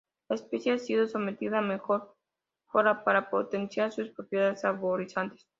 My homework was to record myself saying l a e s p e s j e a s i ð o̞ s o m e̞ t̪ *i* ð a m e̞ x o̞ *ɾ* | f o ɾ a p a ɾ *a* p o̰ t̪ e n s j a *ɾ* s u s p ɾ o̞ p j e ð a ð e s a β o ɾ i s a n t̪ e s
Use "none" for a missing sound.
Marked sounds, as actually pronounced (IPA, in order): i, ɾ, a, ɾ

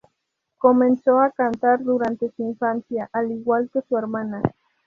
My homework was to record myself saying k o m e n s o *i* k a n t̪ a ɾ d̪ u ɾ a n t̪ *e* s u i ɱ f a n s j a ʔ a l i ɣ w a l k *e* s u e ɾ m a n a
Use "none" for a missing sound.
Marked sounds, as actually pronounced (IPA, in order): a, e, e

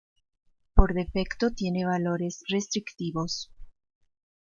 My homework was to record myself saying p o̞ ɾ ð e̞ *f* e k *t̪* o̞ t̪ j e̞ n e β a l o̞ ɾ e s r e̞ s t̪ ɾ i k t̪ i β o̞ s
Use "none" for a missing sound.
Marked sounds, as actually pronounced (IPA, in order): f, t̪

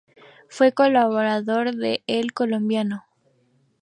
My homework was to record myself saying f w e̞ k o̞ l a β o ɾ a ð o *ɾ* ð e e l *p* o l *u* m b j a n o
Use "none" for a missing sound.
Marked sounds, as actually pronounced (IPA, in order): ɾ, k, o

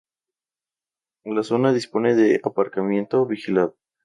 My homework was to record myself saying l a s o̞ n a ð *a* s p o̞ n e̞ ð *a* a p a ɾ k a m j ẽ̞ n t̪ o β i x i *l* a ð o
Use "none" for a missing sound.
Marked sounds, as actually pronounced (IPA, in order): i, e, l

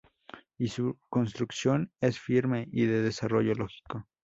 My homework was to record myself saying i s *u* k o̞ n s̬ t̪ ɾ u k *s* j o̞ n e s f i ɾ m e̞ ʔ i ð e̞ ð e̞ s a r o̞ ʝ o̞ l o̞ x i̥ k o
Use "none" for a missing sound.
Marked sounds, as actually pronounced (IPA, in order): u, s

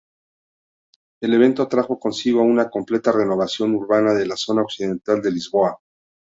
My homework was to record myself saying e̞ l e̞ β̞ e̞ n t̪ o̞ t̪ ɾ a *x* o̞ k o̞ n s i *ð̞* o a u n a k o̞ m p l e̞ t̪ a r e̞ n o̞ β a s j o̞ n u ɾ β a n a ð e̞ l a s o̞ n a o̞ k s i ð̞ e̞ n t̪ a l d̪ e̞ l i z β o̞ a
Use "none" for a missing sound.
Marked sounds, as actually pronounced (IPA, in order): x, ɣ̞

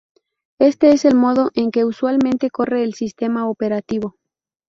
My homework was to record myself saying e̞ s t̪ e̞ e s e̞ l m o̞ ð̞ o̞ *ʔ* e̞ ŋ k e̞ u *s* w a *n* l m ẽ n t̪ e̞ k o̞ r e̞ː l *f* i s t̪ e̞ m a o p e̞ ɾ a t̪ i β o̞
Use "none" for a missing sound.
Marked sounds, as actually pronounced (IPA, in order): ʔ, s, none, s

